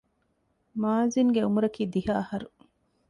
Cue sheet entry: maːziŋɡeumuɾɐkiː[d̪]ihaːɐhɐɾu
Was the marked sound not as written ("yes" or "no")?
no